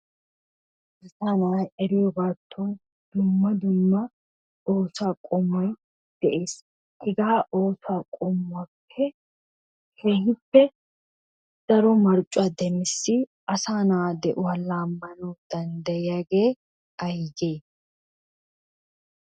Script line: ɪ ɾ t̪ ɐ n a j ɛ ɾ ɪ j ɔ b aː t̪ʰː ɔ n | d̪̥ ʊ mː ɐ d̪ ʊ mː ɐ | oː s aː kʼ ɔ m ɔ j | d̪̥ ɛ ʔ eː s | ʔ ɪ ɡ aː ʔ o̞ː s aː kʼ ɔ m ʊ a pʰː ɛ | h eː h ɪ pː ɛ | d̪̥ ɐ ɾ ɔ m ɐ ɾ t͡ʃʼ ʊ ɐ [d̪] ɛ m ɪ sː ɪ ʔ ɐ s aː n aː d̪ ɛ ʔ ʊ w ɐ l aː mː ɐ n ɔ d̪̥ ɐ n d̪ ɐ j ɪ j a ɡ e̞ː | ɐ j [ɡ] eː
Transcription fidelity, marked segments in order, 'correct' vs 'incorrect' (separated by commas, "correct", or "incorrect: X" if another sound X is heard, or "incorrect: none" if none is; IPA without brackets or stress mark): correct, correct